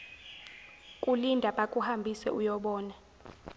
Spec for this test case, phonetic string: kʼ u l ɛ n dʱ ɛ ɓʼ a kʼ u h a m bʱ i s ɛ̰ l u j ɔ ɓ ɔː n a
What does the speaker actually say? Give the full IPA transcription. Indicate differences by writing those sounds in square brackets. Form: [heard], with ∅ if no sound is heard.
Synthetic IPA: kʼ u l [i] n dʱ [a] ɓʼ a kʼ u h a m bʱ i s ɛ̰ [∅] u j ɔ ɓ ɔː n a